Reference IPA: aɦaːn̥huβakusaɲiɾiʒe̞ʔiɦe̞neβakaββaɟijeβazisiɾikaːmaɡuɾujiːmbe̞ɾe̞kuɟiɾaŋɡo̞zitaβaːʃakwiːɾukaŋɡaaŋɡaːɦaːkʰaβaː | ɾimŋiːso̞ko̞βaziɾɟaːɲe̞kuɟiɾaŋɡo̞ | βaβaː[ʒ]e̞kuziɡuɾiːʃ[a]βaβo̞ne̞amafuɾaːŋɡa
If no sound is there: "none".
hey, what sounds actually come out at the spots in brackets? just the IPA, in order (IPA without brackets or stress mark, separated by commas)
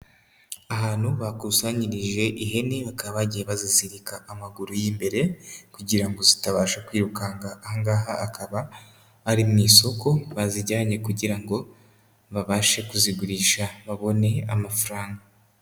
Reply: ʃ, a